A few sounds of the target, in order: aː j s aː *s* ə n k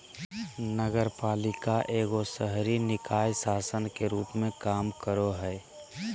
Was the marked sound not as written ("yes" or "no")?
no